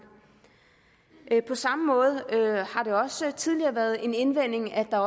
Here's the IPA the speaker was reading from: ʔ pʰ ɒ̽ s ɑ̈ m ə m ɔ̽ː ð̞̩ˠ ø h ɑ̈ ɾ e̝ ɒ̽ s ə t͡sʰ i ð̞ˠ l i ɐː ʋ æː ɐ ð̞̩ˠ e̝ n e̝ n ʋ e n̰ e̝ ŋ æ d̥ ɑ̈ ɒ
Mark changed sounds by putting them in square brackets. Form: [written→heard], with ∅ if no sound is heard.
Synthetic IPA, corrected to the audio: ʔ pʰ ɒ̽ s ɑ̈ m ə m ɔ̽ː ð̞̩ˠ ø h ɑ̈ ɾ e̝ ɒ̽ s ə t͡sʰ i ð̞ˠ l i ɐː ʋ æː ɐ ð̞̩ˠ e̝ n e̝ n ʋ e n̰ e̝ ŋ æ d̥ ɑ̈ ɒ